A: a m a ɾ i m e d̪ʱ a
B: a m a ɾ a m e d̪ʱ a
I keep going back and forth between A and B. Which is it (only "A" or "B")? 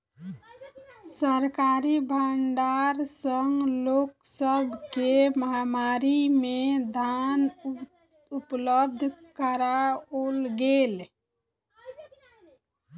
A